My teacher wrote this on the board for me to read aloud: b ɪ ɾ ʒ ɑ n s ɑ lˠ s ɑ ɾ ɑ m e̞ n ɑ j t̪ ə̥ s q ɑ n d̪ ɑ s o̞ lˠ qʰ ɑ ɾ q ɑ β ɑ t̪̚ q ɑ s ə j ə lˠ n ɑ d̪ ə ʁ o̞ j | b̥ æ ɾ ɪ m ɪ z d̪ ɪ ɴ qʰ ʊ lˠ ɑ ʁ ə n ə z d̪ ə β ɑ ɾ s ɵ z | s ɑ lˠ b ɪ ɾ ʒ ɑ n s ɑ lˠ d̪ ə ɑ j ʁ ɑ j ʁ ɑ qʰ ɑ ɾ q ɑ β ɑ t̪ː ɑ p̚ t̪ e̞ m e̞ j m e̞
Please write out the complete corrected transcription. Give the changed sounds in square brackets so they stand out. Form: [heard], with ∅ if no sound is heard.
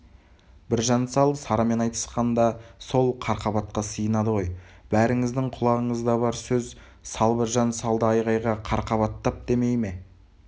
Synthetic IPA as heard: b ɪ ɾ ʒ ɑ n s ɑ lˠ s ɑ ɾ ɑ m e̞ n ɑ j t̪ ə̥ s q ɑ n d̪ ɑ s o̞ lˠ qʰ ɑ ɾ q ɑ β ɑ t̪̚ q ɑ s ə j ə [∅] n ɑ d̪ ə ʁ o̞ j | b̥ æ ɾ ɪ [ŋ] ɪ z d̪ ɪ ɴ qʰ ʊ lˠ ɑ ʁ ə [ɴ] ə z d̪ [ɑ] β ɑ ɾ s ɵ z | s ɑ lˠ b ɪ ɾ ʒ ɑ n s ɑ lˠ d̪ ə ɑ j ʁ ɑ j ʁ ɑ qʰ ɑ ɾ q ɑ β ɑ t̪ː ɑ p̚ [d̪] e̞ m e̞ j m e̞